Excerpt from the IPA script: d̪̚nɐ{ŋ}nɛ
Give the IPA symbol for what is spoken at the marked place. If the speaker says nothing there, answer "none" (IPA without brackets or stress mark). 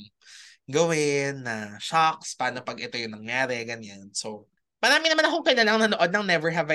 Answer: ŋ